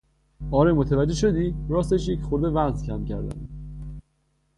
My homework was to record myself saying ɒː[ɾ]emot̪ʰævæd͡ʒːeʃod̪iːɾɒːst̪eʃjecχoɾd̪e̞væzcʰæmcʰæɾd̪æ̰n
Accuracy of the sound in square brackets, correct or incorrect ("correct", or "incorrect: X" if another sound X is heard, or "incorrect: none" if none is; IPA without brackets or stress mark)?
correct